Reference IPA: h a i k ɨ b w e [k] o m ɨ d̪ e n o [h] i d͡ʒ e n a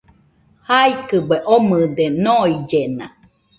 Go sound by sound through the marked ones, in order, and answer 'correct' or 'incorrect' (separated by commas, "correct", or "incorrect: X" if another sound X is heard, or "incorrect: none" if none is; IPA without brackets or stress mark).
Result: incorrect: ʔ, incorrect: none